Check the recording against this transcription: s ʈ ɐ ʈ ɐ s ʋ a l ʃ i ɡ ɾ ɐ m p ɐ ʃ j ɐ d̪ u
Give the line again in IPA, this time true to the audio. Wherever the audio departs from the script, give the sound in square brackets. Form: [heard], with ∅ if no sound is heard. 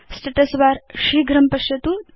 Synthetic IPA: s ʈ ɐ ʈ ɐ s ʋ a [ɾ] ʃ i ɡ ɾ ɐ m p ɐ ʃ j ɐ [t̪] u